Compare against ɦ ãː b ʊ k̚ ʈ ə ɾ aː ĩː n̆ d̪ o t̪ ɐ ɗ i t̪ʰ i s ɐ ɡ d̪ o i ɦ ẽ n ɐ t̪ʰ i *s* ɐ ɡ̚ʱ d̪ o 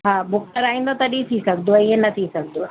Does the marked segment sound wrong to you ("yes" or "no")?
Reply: no